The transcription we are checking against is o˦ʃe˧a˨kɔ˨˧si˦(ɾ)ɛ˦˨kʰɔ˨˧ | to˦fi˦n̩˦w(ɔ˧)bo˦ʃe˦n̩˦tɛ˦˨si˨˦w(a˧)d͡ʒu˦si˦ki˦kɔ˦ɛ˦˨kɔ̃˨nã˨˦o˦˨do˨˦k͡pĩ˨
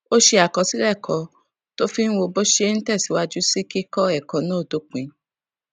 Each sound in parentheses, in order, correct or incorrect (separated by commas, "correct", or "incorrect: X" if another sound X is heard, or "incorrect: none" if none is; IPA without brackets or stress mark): correct, incorrect: o˧, correct